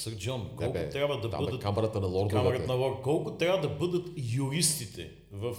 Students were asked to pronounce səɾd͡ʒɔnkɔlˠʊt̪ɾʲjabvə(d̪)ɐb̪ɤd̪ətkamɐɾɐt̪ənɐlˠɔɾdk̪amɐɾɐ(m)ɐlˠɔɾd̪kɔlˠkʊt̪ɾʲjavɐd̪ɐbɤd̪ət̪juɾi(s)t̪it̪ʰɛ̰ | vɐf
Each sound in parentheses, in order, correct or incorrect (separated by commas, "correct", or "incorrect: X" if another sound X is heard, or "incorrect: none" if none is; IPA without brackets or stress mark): correct, incorrect: n, correct